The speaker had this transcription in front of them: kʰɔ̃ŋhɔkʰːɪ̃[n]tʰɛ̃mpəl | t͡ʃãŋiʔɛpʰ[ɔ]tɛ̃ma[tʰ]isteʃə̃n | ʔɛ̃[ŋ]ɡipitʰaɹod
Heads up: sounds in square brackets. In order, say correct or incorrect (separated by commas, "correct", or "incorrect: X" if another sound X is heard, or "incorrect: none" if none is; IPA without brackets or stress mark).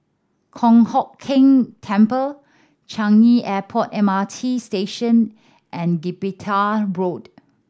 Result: incorrect: ŋ, correct, correct, incorrect: n